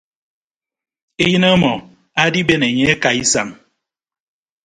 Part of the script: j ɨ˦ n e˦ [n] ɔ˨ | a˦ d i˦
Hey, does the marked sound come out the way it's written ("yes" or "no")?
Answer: no